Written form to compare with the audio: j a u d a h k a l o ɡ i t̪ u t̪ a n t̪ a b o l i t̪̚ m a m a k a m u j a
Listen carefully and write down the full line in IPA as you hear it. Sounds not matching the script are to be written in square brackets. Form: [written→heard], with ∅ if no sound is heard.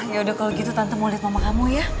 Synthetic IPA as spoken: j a u d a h k a l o ɡ i t̪ u t̪ a n t̪ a [b→m] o l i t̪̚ m a m a k a m u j a